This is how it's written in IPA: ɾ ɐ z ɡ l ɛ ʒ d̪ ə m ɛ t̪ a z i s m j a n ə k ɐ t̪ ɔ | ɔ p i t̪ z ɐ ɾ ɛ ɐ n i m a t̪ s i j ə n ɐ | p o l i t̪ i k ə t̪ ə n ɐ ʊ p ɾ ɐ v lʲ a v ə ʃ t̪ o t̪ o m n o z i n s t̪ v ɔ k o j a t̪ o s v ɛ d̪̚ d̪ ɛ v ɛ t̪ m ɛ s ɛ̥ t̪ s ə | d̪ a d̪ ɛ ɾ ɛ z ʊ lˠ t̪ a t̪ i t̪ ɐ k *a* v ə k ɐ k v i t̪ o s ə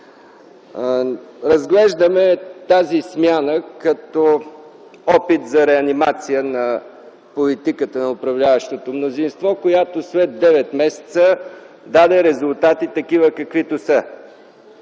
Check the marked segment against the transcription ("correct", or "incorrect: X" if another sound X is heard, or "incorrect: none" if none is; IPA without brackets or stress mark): incorrect: i